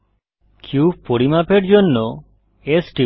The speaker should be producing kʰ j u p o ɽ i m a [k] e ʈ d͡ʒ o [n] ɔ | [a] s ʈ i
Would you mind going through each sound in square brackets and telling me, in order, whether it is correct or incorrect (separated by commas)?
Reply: incorrect, incorrect, incorrect